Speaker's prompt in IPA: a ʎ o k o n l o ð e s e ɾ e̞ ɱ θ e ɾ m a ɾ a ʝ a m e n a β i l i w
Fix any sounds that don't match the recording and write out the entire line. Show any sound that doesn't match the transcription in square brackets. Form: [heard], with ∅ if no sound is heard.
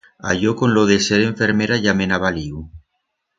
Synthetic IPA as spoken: a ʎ o k o n l o ð e s e ɾ e̞ ɱ [f] e ɾ m [e] ɾ a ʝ a m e n a β [a] l i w